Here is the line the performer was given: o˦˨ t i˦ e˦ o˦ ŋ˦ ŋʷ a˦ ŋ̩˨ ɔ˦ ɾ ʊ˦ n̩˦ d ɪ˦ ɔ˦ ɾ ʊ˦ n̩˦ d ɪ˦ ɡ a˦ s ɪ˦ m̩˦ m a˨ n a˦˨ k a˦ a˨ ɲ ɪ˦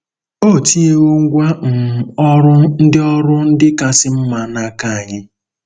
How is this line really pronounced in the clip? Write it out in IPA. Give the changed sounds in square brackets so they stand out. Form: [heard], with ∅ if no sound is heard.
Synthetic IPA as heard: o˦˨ t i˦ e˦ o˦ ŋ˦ [ɡʷ] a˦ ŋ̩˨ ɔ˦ ɾ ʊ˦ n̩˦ d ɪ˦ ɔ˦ ɾ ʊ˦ n̩˦ d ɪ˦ [k] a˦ s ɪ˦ m̩˦ m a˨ n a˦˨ k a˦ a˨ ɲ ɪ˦